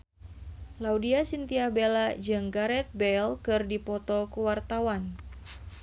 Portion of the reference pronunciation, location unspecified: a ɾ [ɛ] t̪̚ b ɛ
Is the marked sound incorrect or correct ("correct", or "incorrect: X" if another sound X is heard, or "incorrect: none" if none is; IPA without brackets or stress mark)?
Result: correct